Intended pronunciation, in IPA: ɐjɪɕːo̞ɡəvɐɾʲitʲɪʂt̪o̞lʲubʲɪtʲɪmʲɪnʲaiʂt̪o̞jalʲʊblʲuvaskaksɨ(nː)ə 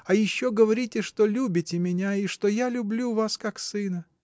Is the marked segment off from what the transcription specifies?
yes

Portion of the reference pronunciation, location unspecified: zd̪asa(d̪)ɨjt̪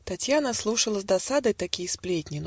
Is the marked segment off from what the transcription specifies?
no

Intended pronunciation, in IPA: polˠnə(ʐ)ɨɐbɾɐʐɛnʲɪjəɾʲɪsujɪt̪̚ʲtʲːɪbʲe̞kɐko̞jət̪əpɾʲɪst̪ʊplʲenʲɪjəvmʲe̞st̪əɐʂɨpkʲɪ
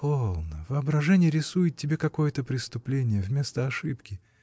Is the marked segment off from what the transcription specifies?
yes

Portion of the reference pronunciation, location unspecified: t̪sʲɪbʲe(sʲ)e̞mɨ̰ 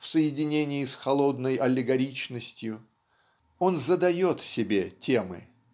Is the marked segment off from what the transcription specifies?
yes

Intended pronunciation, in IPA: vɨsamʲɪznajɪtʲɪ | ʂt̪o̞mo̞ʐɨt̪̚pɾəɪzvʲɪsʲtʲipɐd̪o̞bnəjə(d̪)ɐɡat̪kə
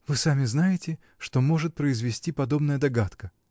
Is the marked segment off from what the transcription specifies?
no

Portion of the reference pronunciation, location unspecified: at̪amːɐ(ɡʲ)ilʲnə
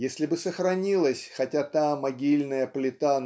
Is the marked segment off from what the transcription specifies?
no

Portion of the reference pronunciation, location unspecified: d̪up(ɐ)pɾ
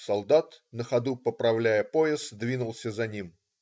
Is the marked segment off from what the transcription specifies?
yes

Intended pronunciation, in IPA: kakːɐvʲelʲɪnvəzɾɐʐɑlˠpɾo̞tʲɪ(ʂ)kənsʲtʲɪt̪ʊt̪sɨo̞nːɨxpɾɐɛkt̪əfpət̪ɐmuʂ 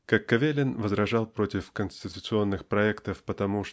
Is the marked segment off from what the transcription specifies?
yes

